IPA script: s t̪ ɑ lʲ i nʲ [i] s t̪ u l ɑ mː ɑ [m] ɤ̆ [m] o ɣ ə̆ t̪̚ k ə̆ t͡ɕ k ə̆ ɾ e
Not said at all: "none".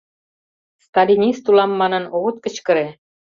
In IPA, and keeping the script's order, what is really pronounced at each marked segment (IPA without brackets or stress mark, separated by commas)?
i, n, n